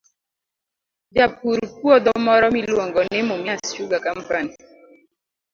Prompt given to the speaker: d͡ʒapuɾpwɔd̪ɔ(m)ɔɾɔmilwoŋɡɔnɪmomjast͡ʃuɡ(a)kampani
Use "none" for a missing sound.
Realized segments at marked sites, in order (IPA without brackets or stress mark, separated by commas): m, a